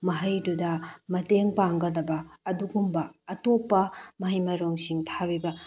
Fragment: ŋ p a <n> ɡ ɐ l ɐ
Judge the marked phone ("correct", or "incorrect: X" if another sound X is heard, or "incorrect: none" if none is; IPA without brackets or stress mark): incorrect: ŋ